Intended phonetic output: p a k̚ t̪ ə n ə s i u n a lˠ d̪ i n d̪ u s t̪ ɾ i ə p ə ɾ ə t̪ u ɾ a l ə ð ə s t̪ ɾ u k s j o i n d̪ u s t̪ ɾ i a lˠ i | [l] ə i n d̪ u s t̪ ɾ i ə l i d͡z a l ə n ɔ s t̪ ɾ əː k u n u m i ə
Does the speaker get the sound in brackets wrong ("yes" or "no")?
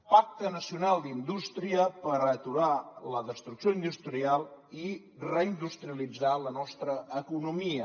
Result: yes